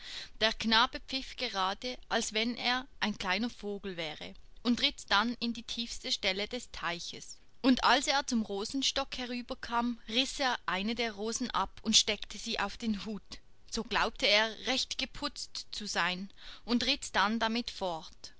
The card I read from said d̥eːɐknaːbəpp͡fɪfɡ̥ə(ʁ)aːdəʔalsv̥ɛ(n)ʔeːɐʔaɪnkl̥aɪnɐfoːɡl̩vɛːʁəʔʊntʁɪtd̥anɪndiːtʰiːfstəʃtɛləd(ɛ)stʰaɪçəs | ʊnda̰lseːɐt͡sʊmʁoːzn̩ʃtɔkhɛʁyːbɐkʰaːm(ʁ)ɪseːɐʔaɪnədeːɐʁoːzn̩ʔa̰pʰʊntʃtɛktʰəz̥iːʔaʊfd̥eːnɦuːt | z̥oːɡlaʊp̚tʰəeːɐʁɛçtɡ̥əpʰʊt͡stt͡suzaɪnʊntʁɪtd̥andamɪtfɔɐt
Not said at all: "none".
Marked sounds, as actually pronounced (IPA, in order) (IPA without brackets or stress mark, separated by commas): ʁ, n, ɛ, ʁ